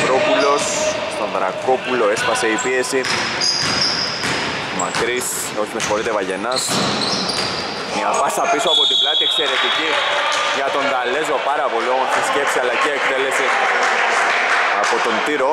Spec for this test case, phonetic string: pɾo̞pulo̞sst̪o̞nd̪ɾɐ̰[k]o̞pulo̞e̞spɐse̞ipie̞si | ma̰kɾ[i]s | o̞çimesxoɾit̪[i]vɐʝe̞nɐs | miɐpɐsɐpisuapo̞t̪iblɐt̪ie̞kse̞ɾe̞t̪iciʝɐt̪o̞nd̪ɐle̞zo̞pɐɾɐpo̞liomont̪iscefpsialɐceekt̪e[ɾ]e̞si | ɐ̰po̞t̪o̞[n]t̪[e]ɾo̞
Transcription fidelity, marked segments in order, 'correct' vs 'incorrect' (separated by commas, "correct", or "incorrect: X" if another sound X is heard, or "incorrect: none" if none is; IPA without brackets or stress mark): correct, correct, incorrect: e, incorrect: l, correct, incorrect: i